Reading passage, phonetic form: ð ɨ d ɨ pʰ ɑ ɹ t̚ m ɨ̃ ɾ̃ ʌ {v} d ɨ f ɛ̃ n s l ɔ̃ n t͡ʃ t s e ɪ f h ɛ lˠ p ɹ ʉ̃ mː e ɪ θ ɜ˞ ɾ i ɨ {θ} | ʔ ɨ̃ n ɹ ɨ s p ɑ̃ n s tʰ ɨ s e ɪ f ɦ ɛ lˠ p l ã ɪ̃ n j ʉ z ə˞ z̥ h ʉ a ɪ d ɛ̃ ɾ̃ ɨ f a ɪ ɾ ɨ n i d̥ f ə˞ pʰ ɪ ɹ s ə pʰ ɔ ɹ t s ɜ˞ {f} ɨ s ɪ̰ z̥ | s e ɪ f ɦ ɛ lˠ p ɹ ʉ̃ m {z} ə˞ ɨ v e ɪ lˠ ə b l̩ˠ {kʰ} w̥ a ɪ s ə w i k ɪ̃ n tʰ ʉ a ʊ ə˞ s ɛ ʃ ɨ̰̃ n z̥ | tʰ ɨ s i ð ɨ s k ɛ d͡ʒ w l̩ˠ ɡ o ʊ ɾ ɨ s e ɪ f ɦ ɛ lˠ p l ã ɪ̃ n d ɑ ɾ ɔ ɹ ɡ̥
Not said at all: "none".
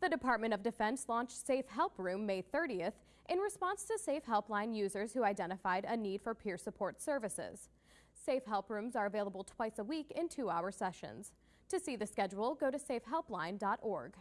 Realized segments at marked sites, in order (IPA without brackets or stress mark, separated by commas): v, θ, v, z, tʰ